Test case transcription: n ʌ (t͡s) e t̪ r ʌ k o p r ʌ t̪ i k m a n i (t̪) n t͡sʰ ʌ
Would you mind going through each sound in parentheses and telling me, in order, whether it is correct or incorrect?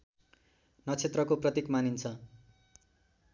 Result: incorrect, incorrect

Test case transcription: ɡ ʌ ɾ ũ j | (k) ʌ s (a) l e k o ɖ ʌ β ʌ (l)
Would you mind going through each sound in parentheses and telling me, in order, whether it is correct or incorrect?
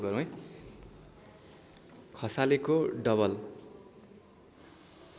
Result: incorrect, correct, correct

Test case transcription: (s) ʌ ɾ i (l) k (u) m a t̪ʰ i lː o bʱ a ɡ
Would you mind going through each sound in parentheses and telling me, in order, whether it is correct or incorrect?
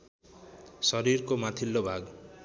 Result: correct, incorrect, incorrect

